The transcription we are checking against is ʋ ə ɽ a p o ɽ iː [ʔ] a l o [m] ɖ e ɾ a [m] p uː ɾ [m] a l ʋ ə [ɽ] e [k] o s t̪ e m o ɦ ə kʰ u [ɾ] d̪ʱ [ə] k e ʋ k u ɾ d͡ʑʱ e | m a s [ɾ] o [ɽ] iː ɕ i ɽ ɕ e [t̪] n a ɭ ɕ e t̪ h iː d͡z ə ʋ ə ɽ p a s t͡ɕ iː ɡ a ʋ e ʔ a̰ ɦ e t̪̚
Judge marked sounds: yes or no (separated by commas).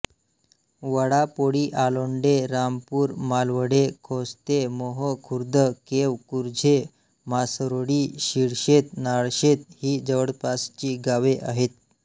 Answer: yes, no, yes, yes, yes, no, yes, yes, yes, yes, yes